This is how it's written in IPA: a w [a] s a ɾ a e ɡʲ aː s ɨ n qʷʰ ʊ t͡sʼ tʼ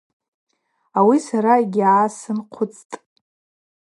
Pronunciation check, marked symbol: incorrect: i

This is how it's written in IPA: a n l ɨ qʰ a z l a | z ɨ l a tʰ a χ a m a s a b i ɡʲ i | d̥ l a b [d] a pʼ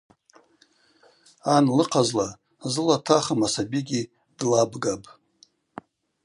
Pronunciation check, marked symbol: incorrect: ɡ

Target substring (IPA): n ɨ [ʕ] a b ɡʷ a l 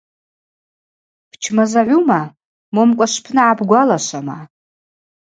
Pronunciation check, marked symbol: correct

